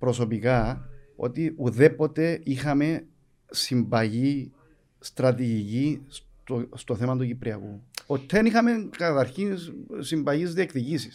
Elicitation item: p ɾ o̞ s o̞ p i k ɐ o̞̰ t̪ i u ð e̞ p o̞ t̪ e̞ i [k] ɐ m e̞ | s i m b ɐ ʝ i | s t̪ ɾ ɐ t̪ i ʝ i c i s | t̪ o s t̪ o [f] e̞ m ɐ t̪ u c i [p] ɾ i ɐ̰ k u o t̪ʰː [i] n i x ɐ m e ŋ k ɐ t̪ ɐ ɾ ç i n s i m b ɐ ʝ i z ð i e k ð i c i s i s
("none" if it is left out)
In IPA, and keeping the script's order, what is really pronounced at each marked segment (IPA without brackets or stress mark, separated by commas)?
x, θ, p, e